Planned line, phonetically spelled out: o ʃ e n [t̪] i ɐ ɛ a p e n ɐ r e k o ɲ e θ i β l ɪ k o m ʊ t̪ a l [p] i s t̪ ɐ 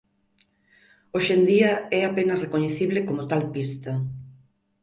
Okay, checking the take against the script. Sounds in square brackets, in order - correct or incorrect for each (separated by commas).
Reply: incorrect, correct